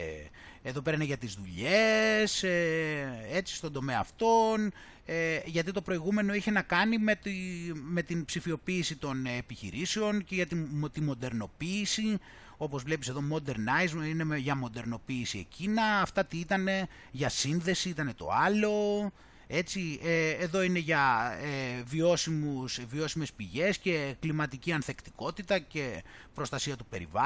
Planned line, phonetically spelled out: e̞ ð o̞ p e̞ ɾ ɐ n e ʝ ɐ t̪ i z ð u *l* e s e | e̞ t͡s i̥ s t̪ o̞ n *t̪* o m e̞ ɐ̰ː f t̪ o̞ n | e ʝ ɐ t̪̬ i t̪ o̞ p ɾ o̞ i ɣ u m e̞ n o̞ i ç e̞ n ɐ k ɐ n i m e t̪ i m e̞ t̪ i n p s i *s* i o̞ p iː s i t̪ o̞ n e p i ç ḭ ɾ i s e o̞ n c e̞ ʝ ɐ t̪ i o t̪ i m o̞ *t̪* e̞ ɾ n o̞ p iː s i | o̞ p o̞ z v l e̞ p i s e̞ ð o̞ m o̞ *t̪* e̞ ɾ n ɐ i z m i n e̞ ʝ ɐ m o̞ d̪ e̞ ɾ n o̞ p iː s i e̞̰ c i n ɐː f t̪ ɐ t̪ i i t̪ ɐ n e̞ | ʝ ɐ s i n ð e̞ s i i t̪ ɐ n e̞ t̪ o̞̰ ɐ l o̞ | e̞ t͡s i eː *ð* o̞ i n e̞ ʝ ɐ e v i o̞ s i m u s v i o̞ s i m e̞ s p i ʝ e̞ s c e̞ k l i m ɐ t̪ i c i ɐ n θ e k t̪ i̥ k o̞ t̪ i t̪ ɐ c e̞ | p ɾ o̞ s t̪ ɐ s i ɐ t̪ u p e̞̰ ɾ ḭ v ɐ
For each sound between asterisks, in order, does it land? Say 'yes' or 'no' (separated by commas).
no, no, no, no, no, yes